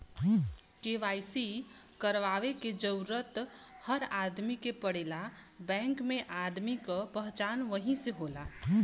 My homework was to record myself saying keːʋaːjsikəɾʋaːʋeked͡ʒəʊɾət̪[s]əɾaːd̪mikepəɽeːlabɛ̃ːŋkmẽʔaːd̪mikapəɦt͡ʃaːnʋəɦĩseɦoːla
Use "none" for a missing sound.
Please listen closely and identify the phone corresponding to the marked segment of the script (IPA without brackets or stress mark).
h